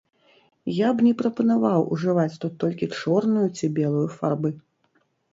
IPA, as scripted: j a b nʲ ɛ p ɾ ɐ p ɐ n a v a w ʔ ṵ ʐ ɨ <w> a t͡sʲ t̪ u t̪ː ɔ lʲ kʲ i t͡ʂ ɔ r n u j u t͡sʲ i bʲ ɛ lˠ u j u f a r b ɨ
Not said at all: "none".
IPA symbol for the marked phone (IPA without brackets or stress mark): v